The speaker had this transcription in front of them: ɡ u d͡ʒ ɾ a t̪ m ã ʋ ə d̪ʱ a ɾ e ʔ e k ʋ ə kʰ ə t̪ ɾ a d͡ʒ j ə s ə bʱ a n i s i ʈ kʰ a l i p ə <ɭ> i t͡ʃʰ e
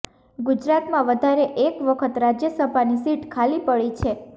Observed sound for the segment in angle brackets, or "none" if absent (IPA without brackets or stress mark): ɭ